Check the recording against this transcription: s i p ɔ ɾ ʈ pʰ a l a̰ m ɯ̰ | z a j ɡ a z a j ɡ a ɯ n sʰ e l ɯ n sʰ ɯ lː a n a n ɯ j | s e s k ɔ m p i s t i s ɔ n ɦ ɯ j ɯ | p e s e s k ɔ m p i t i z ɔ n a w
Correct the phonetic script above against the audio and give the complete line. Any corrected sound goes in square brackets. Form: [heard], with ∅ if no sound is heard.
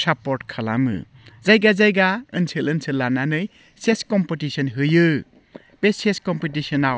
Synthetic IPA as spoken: s [a] p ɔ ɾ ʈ [kʰ] a l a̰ m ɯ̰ | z a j ɡ a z a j ɡ a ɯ n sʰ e l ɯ n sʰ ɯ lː a n a n ɯ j | s e s k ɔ m p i [∅] t i s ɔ n ɦ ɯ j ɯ | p e s e s k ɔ m p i t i [s] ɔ n a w